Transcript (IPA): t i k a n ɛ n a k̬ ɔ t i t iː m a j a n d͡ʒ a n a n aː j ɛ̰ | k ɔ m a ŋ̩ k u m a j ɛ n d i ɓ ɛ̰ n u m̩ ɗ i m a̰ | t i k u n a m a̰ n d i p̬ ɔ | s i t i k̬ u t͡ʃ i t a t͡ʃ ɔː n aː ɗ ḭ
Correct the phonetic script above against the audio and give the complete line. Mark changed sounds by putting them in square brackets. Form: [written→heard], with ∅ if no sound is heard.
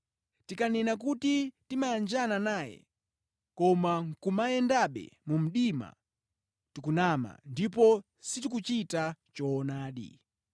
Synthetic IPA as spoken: t i k a n ɛ n a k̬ [ɔ→u] t i t [iː→i] m a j a n d͡ʒ a n a n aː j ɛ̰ | k ɔ m a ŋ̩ k u m a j ɛ n d [i→a] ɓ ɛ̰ [n→m] u m̩ ɗ i m a̰ | t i k u n a m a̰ n d i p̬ ɔ | s i t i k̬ u t͡ʃ i t a t͡ʃ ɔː n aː ɗ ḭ